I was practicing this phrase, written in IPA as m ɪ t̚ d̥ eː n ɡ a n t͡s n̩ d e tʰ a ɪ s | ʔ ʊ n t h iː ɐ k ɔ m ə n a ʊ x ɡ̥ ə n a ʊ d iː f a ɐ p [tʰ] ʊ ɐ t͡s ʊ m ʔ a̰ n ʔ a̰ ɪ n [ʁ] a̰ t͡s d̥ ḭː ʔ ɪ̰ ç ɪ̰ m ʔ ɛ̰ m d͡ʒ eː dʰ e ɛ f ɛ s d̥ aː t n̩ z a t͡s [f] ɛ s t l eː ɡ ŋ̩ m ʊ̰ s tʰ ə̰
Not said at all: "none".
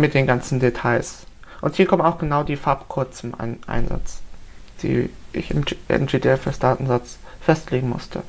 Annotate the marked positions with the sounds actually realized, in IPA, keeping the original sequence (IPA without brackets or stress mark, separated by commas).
kʰ, z, f